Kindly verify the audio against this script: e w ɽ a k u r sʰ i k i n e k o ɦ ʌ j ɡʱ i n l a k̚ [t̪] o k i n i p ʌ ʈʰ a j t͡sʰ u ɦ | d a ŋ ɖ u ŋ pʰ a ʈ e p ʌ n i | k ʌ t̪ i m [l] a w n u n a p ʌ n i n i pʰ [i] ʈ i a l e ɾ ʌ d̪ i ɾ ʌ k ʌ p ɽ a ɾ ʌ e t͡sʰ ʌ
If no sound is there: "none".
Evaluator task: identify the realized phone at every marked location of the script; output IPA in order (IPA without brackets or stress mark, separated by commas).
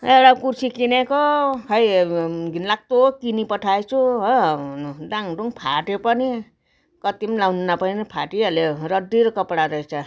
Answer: t̪, l, a